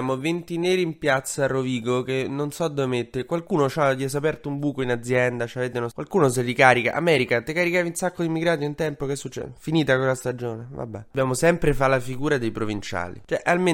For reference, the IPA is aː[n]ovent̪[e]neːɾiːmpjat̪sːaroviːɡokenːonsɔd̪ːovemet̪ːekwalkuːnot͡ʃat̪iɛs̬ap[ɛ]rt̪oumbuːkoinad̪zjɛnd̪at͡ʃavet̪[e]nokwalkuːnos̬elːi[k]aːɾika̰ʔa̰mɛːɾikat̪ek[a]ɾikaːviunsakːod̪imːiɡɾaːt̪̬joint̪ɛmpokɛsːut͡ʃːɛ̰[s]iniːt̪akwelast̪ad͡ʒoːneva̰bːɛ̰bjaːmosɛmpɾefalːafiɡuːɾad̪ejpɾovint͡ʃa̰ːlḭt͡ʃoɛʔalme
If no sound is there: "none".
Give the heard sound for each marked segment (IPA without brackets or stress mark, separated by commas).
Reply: m, i, ɛ, e, k, a, f